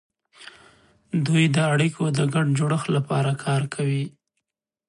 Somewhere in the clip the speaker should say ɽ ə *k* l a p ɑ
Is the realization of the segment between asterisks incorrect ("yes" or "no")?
yes